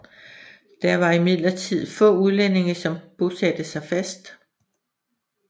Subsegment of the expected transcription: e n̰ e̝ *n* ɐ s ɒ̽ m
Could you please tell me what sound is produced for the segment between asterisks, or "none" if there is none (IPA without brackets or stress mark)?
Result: ŋ